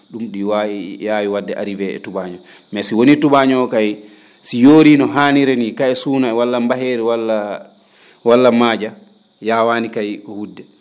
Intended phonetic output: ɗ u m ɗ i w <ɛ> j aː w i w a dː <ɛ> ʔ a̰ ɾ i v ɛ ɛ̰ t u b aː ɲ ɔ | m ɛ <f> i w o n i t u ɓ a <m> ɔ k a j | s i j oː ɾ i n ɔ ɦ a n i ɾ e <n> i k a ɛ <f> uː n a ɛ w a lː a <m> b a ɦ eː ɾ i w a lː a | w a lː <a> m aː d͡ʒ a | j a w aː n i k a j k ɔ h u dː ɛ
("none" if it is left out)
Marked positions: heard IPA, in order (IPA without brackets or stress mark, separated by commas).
a, ɛ, s, ɲ, n, s, m, a